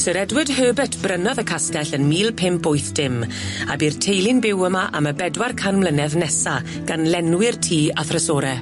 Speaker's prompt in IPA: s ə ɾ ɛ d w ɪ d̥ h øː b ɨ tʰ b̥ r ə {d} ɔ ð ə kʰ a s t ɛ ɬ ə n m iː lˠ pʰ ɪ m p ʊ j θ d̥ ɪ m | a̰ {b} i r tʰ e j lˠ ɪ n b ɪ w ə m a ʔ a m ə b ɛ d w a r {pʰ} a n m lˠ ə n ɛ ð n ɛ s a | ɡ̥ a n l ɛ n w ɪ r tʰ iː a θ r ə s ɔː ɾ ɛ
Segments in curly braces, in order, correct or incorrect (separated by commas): incorrect, correct, incorrect